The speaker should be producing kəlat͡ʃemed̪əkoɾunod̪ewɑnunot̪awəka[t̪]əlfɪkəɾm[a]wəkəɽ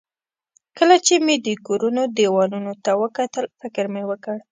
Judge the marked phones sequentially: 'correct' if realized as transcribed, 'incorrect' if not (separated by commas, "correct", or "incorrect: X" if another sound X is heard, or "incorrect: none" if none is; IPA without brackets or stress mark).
correct, incorrect: e